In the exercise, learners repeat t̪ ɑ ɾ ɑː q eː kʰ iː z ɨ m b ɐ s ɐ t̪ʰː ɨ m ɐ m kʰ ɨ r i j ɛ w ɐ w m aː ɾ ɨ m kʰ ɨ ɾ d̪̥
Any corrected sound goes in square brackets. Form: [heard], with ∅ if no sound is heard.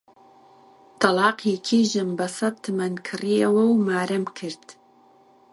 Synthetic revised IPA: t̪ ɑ [l] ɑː q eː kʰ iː [ʒ] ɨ m b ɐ s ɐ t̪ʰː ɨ m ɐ [n] kʰ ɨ r i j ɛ w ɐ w m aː ɾ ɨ m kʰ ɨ ɾ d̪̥